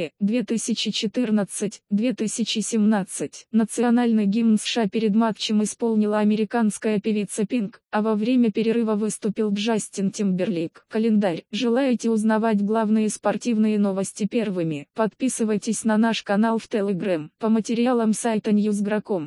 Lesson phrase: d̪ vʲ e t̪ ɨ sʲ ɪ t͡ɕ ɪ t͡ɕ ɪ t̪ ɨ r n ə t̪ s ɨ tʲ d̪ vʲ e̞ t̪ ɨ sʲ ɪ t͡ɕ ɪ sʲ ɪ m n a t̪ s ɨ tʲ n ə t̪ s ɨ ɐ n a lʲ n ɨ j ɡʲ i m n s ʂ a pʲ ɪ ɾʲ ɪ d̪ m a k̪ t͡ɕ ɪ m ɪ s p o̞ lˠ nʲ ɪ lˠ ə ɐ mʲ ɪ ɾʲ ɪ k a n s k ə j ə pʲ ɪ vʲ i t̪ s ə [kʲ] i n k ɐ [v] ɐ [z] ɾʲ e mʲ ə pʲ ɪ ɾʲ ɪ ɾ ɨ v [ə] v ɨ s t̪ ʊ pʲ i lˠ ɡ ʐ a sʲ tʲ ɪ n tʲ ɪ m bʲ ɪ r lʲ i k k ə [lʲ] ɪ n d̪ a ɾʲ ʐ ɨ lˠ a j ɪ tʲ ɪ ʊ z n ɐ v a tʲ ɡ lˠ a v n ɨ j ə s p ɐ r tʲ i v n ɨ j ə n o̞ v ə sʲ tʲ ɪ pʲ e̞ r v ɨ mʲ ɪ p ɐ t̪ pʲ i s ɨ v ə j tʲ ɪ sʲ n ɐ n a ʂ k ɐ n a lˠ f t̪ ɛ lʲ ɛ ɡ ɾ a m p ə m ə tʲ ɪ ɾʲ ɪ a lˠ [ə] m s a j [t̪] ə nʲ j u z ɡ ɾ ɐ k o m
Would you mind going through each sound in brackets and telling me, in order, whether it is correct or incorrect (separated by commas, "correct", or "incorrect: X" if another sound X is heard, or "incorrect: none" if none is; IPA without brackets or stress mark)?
incorrect: pʲ, correct, incorrect: v, correct, correct, correct, correct